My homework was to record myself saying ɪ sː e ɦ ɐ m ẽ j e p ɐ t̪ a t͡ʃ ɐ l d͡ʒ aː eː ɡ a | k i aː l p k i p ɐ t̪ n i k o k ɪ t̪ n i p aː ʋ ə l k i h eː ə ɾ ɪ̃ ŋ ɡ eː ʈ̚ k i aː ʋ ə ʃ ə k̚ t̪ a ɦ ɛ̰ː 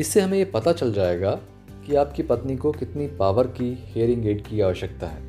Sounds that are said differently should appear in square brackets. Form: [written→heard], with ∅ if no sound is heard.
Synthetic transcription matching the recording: ɪ sː e ɦ ɐ m ẽ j e p ɐ t̪ a t͡ʃ ɐ l d͡ʒ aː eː ɡ a | k i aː [l→∅] p k i p ɐ t̪ n i k o k ɪ t̪ n i p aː ʋ ə [l→ɾ] k i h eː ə ɾ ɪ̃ ŋ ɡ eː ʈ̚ k i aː ʋ ə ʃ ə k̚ t̪ a ɦ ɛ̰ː